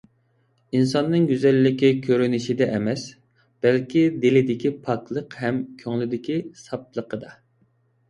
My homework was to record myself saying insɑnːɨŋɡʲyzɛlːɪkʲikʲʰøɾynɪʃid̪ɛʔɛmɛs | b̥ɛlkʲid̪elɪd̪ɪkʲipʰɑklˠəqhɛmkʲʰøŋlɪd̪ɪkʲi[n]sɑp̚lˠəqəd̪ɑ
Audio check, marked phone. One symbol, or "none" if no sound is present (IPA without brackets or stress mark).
none